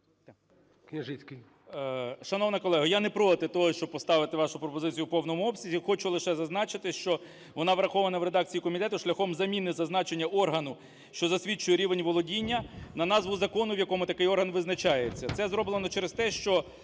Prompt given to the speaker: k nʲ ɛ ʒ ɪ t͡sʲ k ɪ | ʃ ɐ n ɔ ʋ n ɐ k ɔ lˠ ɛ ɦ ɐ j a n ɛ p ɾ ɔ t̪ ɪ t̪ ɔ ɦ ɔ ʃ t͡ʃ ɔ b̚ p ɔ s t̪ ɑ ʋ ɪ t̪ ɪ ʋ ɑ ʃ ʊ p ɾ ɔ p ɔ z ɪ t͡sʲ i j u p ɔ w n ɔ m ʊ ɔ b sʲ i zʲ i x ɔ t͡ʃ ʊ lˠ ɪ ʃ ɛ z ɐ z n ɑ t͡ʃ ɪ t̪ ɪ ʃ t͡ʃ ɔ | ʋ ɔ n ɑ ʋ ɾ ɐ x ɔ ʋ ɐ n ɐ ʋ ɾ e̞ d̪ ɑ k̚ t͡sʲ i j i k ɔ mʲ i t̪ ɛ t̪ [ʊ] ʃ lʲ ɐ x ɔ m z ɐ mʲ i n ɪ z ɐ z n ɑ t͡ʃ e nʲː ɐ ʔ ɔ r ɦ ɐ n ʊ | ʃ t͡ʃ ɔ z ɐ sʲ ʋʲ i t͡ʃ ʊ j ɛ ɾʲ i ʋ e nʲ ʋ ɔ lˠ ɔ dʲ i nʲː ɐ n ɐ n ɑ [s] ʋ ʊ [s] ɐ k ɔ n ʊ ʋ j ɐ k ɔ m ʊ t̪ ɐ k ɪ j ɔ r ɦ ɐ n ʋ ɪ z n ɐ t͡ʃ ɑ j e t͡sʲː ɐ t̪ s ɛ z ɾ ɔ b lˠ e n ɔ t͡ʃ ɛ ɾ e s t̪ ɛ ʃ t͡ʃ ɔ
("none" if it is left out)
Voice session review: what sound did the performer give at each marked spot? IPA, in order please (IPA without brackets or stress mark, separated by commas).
ʊ, z, z